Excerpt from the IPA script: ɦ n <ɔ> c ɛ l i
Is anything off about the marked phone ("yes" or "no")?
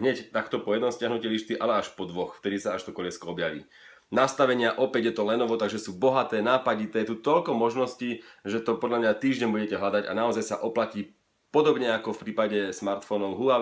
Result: yes